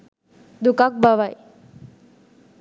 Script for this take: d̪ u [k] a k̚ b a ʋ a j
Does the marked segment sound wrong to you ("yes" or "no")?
no